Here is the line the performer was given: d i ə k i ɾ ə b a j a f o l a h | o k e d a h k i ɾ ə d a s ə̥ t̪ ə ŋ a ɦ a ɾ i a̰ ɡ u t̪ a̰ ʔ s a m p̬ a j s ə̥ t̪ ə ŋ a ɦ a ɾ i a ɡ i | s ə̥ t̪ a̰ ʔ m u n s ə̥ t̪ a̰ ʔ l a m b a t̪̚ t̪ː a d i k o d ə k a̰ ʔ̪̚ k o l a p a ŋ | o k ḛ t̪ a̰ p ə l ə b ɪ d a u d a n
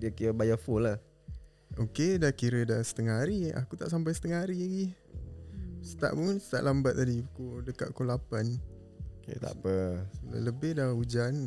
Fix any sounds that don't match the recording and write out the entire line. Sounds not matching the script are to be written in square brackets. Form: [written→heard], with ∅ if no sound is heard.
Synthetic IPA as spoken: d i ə k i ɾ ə b a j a f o l a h | o k e d a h k i ɾ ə d a s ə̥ t̪ ə ŋ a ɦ a ɾ i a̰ [ɡ→k] u t̪ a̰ ʔ s a m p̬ a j s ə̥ t̪ ə ŋ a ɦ a ɾ i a ɡ i | s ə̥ t̪ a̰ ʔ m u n s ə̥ t̪ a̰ ʔ l a m b a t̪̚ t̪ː a d i k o d ə k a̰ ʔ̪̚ k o l a p a [ŋ→n] | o k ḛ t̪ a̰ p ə l ə b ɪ d a u [d→d͡ʒ] a n